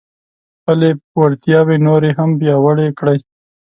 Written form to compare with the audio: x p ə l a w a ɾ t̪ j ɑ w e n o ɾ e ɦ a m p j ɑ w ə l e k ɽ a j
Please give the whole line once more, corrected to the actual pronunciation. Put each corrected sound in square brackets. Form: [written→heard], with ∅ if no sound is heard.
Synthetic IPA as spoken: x p ə l [a→e] w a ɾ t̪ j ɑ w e n o ɾ e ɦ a m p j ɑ w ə [l→ɽ] e k ɽ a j